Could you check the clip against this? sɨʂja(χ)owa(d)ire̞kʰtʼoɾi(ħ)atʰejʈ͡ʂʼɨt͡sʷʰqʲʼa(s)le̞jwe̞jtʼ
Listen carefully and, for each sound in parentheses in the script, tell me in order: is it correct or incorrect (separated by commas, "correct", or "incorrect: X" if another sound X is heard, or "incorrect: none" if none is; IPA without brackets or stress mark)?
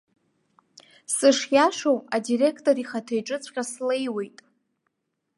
incorrect: ʂ, correct, incorrect: χ, correct